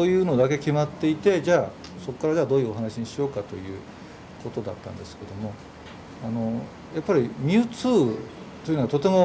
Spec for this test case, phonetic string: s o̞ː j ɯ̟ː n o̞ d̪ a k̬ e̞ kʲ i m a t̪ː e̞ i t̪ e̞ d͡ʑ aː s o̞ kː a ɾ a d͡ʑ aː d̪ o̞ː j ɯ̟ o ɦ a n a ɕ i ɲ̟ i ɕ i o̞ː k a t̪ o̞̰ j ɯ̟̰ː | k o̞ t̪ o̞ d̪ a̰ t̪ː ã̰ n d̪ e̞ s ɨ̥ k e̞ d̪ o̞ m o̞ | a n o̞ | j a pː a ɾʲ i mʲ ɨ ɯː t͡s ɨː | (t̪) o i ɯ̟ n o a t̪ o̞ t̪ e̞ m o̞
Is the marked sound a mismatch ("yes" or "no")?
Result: no